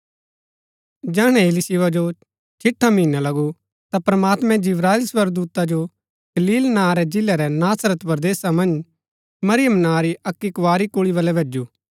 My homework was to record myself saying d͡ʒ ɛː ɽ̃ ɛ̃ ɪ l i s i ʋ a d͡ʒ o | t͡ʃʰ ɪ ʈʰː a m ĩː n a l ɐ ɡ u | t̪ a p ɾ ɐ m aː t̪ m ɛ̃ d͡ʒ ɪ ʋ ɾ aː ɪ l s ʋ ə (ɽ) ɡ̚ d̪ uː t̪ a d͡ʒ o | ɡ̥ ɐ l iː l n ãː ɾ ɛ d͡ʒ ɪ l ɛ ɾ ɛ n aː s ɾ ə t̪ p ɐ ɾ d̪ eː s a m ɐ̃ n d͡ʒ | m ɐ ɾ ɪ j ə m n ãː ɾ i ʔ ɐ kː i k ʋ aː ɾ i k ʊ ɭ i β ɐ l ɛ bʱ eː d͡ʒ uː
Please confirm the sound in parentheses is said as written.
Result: no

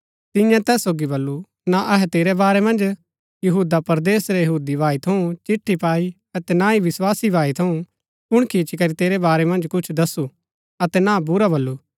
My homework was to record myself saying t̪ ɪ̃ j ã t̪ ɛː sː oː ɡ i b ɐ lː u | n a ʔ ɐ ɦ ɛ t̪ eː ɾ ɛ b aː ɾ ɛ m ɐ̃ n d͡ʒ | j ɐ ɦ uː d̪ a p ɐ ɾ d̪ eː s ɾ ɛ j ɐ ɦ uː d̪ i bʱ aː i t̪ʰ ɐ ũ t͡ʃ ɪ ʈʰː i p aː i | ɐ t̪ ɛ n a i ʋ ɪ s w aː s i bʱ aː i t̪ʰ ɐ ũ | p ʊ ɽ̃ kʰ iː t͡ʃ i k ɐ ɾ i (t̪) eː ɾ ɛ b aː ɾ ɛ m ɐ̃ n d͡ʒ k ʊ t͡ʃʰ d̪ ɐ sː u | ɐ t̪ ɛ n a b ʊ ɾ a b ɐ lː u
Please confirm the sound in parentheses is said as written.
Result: yes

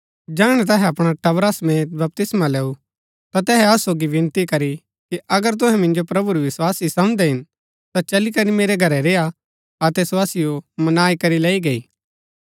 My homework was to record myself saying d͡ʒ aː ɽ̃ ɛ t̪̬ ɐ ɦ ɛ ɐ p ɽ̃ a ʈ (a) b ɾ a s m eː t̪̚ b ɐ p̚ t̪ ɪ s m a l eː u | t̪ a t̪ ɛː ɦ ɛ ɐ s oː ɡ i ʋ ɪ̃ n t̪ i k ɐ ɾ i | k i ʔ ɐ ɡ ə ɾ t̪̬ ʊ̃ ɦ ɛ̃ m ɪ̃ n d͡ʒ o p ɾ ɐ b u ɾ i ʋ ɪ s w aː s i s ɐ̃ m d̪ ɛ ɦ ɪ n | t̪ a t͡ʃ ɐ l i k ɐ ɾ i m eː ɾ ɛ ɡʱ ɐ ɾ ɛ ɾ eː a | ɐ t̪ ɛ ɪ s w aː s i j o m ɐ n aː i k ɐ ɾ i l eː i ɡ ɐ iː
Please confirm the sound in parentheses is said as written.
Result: no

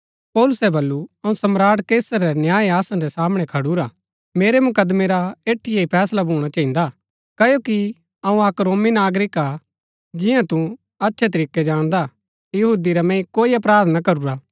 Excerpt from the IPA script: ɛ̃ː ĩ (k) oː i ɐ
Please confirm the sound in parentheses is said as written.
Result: yes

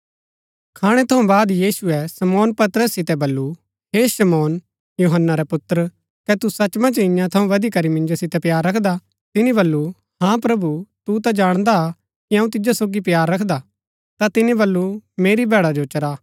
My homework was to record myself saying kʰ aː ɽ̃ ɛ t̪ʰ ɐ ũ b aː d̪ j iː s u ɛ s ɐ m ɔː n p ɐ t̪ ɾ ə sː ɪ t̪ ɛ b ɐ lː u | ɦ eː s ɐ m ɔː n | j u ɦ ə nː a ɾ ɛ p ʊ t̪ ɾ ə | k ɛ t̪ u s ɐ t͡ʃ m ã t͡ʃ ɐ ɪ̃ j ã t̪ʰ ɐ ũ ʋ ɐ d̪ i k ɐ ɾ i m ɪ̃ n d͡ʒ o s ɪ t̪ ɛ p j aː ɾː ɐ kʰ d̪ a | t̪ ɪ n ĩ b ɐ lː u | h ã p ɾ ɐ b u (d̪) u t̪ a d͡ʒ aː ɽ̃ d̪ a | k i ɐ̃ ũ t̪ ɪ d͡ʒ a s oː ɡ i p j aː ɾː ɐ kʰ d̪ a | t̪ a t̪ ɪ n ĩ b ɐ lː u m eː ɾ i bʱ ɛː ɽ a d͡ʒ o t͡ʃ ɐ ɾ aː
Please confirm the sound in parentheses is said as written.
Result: no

